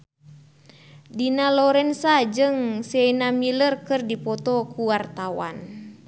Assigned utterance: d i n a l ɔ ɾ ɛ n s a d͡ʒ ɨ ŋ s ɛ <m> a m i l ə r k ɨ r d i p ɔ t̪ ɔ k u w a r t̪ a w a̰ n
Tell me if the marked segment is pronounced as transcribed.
no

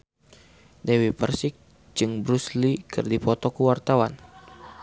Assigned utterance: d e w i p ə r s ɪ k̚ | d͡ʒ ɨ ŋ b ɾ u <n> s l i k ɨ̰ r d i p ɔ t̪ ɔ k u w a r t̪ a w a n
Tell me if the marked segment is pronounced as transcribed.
no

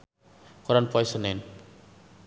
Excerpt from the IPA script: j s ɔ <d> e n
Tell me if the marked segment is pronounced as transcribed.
no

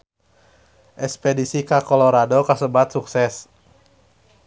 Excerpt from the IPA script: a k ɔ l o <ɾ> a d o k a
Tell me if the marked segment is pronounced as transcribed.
yes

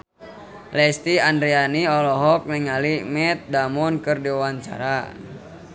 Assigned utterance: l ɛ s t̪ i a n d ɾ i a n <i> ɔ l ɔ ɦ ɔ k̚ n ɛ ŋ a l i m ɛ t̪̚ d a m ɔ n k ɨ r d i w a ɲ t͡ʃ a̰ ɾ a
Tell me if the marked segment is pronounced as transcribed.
yes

